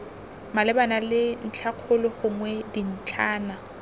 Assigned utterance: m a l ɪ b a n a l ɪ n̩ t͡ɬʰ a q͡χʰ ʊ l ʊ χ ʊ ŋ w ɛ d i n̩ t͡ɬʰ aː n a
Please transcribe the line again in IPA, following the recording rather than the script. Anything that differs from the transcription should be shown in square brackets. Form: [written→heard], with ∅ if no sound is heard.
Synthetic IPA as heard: m a l ɪ b a n a l ɪ n̩ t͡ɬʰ a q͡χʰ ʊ l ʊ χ ʊ ŋ w ɛ d i n̩ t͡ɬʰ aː n a